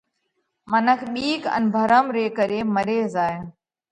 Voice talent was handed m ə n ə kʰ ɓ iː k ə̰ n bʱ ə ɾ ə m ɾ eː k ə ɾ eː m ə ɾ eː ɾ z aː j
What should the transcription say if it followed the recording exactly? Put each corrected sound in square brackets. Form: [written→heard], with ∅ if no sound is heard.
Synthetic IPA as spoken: m ə n ə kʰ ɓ iː k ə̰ n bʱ ə ɾ ə m ɾ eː k ə ɾ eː m ə ɾ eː [ɾ→∅] z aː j